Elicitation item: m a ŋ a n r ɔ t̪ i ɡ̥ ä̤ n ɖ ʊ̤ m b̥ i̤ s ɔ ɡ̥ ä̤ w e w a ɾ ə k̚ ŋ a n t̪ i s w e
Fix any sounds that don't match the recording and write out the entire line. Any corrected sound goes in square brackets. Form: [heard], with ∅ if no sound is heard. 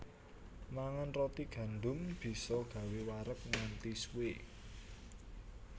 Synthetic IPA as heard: m a ŋ a n r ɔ t̪ i ɡ̥ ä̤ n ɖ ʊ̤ m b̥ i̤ s ɔ ɡ̥ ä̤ w e w a ɾ ə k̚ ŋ a n t̪ i s w e